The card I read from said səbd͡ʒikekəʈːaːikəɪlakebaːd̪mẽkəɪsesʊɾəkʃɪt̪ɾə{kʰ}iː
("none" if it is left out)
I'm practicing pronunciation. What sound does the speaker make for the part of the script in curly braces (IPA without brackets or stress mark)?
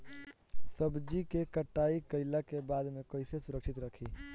kʰ